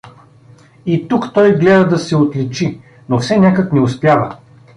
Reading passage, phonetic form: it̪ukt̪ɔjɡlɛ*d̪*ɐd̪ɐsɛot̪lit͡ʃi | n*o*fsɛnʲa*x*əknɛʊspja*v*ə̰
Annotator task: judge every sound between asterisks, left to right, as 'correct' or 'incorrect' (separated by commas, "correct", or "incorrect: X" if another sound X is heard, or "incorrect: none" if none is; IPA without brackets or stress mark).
correct, correct, incorrect: k, correct